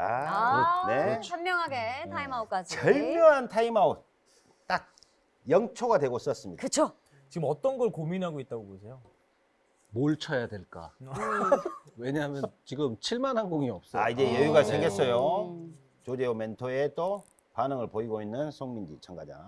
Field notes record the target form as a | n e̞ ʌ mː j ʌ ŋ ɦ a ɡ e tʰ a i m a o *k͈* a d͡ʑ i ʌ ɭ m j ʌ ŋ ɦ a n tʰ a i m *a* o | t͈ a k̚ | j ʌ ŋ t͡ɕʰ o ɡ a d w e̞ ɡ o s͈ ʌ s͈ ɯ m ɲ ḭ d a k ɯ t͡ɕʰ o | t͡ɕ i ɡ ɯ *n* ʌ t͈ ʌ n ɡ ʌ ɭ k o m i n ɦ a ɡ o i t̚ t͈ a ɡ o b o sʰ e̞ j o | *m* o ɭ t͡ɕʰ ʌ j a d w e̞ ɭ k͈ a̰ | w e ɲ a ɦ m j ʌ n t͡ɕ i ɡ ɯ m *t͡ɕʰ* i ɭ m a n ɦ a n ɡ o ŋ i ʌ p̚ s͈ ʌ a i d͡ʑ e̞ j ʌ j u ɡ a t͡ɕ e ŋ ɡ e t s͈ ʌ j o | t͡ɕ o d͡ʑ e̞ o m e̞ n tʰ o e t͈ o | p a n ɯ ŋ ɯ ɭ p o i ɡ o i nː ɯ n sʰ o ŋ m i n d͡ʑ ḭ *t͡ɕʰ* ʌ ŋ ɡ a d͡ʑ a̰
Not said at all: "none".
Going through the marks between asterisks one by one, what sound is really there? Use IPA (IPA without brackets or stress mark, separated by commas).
k͈, a, m, m, t͡ɕʰ, t͡ɕʰ